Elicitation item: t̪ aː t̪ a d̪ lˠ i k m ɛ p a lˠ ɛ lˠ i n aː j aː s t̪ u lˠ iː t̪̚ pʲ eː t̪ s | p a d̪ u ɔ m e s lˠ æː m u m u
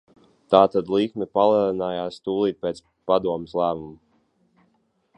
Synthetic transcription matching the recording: t̪ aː t̪ a d̪ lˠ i k m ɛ p a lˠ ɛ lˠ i n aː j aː s t̪ uː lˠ iː t̪̚ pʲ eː t̪ s | p a d̪ u ɔ m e s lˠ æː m u m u